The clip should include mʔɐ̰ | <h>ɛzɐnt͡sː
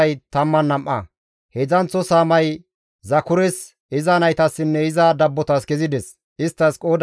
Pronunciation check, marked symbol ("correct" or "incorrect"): correct